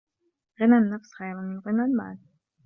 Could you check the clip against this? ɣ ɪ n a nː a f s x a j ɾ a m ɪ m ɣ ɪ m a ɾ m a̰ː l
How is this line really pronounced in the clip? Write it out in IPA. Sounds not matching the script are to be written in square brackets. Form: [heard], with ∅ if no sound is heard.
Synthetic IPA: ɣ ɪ n a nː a f s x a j ɾ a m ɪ [n] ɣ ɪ [n] a [l] m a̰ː l